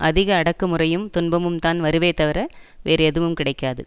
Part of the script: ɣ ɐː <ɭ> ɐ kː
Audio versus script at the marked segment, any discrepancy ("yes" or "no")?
yes